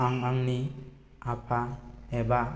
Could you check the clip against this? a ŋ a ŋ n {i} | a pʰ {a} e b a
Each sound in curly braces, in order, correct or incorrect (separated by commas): correct, correct